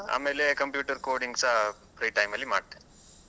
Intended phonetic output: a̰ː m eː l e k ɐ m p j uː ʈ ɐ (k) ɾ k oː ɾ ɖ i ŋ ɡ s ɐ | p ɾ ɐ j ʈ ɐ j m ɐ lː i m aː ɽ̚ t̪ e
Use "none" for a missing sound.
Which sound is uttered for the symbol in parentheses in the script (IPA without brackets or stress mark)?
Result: none